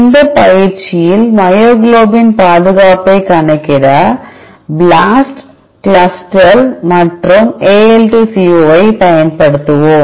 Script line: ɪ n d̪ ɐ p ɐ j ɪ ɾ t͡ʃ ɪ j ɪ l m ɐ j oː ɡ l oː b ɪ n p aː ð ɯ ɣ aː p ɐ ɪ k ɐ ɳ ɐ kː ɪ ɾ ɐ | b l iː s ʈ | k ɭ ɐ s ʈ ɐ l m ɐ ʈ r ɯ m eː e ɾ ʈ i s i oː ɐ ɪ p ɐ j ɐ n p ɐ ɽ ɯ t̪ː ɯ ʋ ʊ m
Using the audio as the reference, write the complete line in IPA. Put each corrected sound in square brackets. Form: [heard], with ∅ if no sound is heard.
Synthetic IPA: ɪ n d̪ ɐ p ɐ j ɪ ɾ t͡ʃ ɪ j ɪ l m ɐ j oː ɡ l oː b ɪ n p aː ð ɯ ɣ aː p ɐ ɪ k ɐ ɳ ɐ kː ɪ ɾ ɐ | b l [aː] s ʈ | k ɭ ɐ s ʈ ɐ l m ɐ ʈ r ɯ m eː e [l] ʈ i s i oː ɐ ɪ p ɐ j ɐ n p ɐ ɽ ɯ t̪ː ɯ ʋ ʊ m